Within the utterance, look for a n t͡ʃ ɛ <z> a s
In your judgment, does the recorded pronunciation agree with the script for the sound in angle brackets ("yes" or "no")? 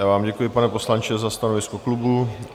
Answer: yes